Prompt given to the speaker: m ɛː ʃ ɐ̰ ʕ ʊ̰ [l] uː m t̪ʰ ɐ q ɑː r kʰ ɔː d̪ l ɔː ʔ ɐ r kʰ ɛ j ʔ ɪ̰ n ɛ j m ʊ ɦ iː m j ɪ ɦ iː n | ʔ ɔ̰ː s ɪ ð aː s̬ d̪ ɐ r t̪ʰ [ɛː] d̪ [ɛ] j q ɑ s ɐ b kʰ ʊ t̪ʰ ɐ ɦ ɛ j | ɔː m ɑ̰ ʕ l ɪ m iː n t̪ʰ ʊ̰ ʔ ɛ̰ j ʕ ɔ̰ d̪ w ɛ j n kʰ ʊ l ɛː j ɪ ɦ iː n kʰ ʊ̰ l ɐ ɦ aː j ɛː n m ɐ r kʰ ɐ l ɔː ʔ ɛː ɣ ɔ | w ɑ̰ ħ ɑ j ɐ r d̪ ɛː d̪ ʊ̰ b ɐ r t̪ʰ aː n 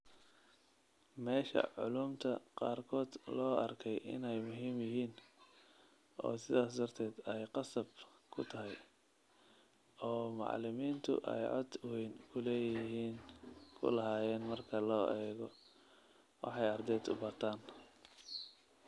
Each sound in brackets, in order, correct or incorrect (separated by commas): correct, correct, correct